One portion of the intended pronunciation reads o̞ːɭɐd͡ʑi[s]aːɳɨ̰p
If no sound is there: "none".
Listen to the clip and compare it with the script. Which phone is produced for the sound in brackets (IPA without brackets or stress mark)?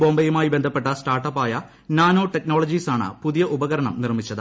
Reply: s